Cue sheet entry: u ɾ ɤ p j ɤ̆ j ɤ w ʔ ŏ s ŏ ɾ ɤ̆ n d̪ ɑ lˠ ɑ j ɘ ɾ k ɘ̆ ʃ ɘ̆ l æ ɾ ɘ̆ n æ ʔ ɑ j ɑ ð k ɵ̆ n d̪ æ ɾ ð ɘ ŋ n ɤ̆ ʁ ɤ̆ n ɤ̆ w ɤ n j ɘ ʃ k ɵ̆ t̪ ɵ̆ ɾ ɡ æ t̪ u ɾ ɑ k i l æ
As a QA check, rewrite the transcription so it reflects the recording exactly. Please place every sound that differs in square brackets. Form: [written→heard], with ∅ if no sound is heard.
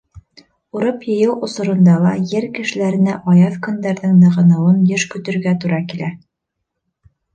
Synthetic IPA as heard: u ɾ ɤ p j ɤ̆ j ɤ w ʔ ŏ s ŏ ɾ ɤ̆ n d̪ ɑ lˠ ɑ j ɘ ɾ k ɘ̆ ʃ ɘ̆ l æ ɾ ɘ̆ n æ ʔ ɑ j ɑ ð k ɵ̆ n d̪ æ ɾ ð ɘ ŋ n ɤ̆ ʁ ɤ̆ n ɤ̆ w ɤ n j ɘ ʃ k ɵ̆ t̪ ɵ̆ ɾ ɡ æ t̪ u ɾ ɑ k i l æ